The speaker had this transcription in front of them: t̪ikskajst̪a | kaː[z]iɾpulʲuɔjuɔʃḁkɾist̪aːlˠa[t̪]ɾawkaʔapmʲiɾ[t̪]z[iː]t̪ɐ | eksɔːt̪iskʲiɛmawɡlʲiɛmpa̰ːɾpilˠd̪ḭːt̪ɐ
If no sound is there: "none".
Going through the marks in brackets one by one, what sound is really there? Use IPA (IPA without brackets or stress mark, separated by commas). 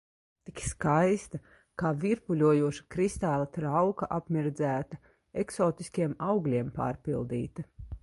v, t̪, d̪, æː